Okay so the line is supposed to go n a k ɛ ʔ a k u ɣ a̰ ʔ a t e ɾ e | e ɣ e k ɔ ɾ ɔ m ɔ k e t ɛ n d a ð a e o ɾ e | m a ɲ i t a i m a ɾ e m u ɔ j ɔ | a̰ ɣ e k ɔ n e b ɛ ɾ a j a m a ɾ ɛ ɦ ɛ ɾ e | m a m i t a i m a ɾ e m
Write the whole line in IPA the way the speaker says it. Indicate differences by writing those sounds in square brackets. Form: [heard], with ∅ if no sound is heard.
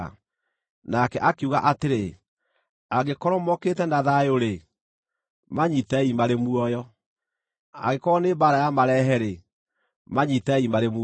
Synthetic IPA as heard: n a k ɛ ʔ a k u ɣ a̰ ʔ a t e ɾ e | [a] ɣ e k ɔ ɾ ɔ m ɔ k e t ɛ n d a ð a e o ɾ e | m a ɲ i t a i m a ɾ e m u ɔ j ɔ | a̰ ɣ e k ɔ n e b [a] ɾ a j a m a ɾ ɛ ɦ ɛ ɾ e | m a [ɲ] i t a i m a ɾ e m